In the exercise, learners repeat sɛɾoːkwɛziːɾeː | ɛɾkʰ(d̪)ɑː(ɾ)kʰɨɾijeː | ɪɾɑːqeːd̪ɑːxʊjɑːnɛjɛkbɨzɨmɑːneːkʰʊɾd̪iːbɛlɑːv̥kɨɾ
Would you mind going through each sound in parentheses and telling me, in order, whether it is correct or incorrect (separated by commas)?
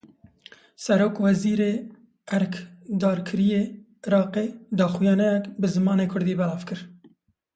correct, correct